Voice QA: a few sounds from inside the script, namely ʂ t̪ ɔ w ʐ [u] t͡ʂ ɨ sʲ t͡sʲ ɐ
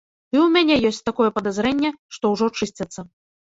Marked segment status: incorrect: ɔ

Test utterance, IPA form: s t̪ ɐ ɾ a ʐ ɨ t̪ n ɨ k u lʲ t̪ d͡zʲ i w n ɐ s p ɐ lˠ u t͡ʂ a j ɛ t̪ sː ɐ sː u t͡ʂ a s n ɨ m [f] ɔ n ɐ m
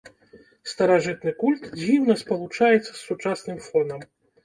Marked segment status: correct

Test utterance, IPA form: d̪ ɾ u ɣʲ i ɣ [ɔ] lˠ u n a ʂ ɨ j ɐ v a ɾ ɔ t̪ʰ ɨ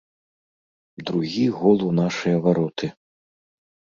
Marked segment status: correct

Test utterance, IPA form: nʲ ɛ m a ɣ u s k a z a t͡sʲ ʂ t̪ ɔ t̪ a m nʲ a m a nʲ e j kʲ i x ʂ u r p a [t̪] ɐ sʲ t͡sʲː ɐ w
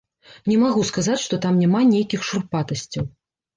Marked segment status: correct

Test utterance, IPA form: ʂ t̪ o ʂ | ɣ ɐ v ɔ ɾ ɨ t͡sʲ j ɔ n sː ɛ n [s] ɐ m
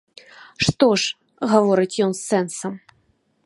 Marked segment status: correct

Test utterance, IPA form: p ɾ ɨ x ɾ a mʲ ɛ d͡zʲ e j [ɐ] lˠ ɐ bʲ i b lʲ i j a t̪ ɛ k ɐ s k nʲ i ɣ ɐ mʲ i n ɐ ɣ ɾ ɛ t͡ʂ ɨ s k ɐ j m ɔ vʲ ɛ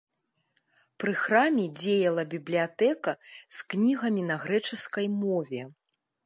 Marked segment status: correct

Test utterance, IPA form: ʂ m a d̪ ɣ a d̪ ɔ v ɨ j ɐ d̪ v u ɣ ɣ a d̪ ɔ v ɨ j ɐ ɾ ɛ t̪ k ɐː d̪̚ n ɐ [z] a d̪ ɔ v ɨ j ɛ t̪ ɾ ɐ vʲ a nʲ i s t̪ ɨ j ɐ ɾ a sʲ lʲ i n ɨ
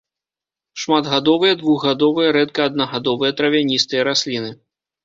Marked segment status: incorrect: ɣ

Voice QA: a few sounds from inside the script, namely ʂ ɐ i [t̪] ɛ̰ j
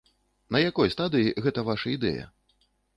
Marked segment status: incorrect: d̪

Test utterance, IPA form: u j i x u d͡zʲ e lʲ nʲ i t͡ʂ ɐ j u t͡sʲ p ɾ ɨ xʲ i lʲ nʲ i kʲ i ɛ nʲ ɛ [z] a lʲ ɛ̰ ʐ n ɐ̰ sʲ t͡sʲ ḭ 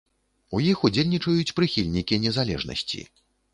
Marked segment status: correct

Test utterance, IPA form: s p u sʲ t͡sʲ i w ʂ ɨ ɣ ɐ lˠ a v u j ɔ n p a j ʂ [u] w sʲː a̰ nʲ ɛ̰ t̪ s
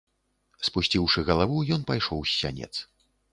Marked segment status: incorrect: ɔ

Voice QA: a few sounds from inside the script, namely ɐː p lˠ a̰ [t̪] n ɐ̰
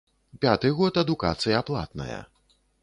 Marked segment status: correct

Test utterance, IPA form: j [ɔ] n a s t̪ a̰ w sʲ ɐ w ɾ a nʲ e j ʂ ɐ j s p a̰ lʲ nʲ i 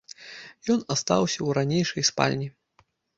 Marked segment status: correct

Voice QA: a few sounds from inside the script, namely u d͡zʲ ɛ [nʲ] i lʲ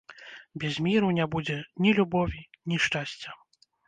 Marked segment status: correct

